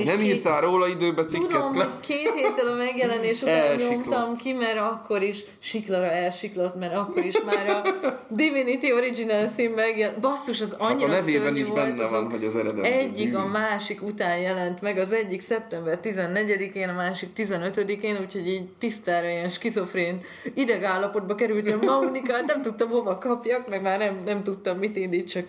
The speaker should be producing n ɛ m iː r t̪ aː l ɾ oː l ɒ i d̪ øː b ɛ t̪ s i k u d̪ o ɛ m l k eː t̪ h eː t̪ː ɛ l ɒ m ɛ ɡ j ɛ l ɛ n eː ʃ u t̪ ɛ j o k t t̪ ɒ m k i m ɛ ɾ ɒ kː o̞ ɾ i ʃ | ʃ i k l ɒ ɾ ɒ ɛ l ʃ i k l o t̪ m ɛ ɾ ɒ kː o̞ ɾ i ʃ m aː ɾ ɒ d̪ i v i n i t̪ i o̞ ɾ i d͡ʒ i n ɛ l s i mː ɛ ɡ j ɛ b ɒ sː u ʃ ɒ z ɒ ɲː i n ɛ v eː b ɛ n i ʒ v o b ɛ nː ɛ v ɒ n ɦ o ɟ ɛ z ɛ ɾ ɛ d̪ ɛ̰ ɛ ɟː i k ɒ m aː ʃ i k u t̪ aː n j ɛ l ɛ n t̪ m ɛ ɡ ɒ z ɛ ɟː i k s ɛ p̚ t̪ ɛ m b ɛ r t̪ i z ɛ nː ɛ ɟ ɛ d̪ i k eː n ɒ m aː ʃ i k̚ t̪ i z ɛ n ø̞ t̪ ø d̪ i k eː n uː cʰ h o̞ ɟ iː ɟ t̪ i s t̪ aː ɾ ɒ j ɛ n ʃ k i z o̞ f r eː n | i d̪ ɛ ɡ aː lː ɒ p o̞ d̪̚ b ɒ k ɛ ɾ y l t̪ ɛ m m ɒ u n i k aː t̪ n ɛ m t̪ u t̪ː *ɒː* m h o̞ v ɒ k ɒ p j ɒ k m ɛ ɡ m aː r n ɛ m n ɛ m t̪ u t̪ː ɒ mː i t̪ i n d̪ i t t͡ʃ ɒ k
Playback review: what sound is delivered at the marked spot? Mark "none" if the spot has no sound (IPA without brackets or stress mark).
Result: ɒ